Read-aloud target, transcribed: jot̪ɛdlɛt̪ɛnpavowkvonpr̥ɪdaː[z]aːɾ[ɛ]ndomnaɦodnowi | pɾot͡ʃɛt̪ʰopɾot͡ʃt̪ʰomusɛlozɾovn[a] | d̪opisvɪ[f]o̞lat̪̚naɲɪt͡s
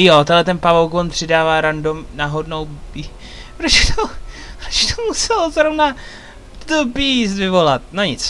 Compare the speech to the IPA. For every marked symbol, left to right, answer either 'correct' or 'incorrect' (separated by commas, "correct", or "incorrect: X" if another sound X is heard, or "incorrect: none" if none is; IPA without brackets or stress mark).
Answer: incorrect: v, incorrect: a, correct, incorrect: v